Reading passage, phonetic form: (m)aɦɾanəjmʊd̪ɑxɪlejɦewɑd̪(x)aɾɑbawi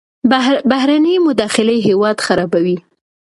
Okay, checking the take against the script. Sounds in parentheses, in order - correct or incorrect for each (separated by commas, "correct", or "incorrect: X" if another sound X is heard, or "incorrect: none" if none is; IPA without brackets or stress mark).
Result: incorrect: b, correct